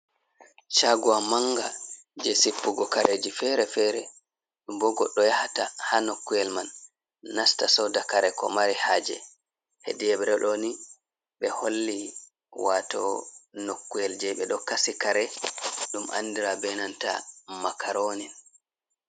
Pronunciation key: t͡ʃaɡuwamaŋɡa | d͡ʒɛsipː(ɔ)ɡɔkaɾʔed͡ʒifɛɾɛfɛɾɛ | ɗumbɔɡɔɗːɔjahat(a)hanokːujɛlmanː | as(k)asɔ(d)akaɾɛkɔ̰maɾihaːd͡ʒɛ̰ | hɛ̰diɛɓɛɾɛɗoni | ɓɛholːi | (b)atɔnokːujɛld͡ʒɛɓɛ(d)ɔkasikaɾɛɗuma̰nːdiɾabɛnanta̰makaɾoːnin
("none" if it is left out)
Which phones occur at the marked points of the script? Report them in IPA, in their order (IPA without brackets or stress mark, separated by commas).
u, a, t, d, w, ɗ